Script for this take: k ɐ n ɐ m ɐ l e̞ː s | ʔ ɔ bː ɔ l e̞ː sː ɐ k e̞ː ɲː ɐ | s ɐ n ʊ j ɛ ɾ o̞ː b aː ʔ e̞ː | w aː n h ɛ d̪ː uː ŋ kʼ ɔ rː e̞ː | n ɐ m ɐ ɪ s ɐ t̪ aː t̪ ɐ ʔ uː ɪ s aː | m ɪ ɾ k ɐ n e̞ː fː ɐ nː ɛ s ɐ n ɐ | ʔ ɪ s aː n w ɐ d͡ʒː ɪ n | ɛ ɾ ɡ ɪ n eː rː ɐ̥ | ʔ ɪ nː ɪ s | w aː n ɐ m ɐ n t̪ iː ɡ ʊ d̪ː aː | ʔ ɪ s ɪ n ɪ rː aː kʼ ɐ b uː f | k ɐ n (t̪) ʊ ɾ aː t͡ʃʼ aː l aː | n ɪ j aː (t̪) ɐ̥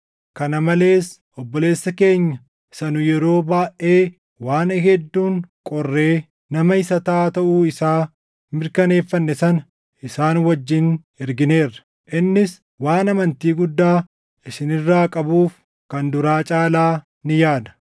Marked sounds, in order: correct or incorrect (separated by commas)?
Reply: incorrect, incorrect